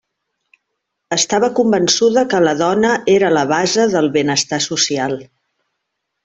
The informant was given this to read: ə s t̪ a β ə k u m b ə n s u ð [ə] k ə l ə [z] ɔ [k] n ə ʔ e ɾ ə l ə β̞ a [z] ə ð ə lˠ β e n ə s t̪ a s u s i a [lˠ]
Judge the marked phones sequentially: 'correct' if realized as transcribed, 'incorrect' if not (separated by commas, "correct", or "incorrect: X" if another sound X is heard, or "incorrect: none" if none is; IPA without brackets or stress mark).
correct, incorrect: ð, incorrect: none, correct, correct